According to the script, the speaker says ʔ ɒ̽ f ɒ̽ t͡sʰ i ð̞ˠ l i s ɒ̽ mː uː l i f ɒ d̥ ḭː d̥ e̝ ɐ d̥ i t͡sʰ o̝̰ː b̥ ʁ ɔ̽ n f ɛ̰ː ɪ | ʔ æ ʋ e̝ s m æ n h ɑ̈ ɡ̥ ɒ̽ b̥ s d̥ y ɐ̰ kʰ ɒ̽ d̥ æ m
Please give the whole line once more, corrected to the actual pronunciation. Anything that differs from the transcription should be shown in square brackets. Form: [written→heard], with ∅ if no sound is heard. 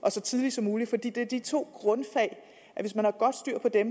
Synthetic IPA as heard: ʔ ɒ̽ [f→s] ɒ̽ t͡sʰ i ð̞ˠ l i s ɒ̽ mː uː l i f ɒ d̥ ḭː d̥ e̝ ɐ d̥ i t͡sʰ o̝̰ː [b̥→ɡ̥] ʁ ɔ̽ n f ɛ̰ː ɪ | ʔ æ ʋ e̝ s m æ n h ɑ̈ ɡ̥ ɒ̽ [b̥→d̥] s d̥ y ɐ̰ [kʰ→pʰ] ɒ̽ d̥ [æ→e] m